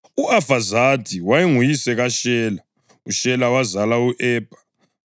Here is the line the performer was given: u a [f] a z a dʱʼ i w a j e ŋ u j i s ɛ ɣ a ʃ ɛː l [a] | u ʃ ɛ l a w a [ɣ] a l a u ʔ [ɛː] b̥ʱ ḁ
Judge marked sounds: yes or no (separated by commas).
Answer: yes, yes, no, yes